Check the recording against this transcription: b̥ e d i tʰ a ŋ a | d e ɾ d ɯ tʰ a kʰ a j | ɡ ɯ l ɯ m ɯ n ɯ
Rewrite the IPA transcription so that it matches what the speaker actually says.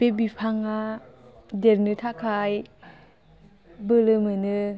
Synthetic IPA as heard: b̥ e b i pʰ a ŋ a | d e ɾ n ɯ tʰ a kʰ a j | b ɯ l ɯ m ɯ n ɯ